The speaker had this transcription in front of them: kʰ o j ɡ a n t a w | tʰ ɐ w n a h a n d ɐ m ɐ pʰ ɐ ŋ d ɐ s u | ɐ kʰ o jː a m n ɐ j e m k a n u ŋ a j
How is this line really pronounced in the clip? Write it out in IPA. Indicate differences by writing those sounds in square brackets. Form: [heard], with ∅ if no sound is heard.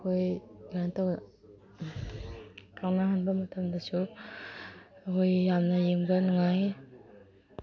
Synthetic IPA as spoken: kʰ o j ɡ a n t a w | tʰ [a] w n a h a n [b] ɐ m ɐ [tʰ] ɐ [m] d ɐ s u | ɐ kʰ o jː a m n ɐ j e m [ɡ] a n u ŋ a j